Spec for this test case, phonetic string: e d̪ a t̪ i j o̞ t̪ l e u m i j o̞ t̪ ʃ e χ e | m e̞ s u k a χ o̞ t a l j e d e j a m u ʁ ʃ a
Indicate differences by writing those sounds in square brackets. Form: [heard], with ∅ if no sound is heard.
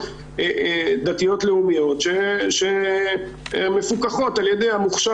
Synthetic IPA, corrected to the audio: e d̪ a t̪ i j o̞ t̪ l e u m i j o̞ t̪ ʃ e [ʃ] e | m e̞ [f] u k a χ o̞ t a l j e d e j a m u [χ] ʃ a